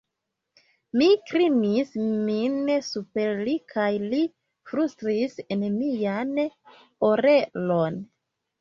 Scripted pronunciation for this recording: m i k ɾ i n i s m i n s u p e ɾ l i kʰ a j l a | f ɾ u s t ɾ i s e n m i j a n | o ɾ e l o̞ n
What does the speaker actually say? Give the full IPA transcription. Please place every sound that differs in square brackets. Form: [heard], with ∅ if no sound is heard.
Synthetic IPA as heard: m i k ɾ i n i s m i n s u p e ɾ l i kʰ a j l [i] | f ɾ u s t ɾ i s e n m i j a n | o ɾ e l o̞ n